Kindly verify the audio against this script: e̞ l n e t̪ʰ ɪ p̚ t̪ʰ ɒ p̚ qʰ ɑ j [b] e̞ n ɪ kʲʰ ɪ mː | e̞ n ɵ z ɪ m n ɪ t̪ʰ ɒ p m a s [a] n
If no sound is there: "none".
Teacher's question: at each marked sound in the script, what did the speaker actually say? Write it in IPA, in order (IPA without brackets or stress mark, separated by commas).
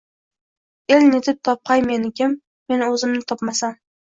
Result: m, a